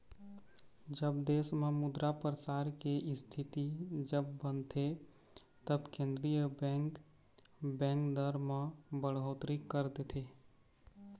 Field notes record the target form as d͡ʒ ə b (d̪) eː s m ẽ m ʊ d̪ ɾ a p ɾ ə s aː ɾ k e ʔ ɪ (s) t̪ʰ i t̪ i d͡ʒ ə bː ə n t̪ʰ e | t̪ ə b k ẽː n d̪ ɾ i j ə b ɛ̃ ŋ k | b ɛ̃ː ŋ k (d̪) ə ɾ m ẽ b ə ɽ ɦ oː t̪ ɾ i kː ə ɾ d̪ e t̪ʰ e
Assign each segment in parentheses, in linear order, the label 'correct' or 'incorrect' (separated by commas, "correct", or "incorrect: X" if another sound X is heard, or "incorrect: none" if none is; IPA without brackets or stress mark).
correct, correct, correct